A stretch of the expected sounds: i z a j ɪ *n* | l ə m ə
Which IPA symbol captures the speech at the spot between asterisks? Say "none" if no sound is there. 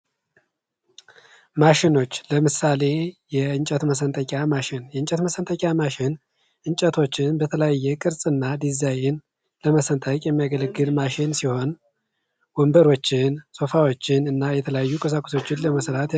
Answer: n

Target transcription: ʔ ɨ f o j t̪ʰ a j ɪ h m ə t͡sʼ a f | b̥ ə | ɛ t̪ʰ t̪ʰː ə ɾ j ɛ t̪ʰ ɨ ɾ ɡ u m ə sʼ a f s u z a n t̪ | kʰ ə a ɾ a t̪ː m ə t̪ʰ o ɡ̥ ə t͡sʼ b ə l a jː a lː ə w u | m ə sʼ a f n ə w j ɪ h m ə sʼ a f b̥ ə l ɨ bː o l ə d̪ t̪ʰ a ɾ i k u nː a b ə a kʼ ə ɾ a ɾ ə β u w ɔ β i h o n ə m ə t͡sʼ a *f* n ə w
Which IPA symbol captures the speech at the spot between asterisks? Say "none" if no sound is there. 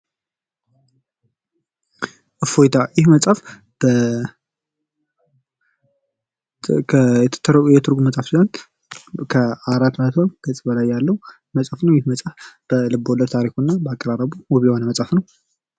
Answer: f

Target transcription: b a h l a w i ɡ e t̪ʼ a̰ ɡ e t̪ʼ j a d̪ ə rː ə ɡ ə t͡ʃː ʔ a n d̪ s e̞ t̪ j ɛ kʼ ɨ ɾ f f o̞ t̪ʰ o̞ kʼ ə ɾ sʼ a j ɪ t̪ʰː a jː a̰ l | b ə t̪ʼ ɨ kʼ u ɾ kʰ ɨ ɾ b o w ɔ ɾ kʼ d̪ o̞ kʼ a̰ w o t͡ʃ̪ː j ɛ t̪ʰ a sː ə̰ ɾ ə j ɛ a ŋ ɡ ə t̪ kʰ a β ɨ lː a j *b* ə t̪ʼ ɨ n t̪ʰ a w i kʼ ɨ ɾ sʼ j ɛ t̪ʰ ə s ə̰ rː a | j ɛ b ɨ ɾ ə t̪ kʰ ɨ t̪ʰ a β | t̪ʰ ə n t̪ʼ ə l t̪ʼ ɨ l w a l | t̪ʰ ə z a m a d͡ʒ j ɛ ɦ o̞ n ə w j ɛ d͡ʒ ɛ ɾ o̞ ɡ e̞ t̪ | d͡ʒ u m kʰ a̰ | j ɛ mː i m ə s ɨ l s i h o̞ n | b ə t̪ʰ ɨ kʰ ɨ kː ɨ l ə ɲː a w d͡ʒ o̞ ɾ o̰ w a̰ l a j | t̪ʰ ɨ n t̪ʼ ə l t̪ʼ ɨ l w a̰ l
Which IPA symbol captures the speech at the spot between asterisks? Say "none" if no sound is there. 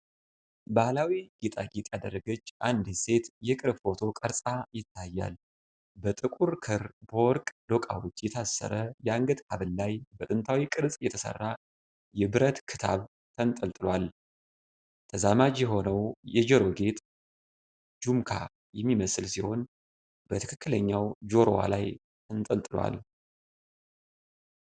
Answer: b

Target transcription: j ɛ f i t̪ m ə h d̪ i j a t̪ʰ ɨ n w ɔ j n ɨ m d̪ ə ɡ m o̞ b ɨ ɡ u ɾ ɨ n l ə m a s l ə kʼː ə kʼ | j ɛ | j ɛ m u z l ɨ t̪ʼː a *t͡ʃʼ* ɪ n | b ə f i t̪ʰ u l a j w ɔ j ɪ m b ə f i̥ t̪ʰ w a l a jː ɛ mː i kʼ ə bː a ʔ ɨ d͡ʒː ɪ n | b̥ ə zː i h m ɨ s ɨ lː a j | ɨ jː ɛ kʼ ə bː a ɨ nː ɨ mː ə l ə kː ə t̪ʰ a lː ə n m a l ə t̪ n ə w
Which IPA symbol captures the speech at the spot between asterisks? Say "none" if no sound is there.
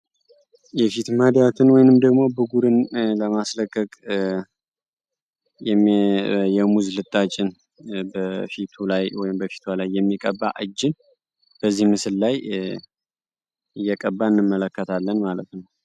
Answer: t͡ʃʼ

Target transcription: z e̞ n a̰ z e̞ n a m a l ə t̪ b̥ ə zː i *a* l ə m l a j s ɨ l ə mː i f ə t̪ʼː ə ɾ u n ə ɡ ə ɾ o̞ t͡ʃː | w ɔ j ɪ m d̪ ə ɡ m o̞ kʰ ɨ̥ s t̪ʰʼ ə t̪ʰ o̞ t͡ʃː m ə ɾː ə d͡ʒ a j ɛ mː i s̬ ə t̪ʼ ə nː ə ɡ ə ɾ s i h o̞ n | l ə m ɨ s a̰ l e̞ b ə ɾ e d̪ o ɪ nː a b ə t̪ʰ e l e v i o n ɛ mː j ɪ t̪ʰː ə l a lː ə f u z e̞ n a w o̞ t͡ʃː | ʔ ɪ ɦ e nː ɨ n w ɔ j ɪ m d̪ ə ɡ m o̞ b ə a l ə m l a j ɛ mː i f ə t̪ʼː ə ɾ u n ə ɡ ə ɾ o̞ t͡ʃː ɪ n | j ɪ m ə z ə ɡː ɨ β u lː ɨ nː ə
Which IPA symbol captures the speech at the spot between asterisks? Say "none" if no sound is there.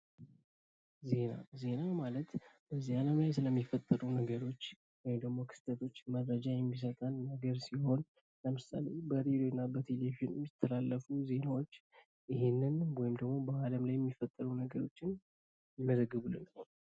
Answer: a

